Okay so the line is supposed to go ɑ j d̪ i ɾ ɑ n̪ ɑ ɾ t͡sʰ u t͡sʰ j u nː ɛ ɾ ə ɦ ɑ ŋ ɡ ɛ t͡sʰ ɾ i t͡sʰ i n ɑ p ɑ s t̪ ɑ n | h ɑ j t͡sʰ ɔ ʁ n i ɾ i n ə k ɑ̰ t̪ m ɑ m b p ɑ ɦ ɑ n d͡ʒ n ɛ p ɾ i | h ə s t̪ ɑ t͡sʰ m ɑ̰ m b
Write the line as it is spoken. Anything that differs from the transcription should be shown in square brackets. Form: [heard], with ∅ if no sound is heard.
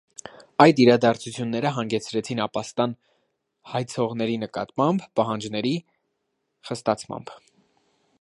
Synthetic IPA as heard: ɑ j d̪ i ɾ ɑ [d̪] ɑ ɾ t͡sʰ u t͡sʰ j u nː ɛ ɾ ə ɦ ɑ ŋ ɡ ɛ t͡sʰ ɾ [ɛ] t͡sʰ i n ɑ p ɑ s t̪ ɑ n | h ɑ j t͡sʰ ɔ ʁ n [ɛ] ɾ i n ə k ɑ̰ t̪ m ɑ m b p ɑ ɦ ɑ n d͡ʒ n ɛ [∅] ɾ i | [χ] ə s t̪ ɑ t͡sʰ m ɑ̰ m b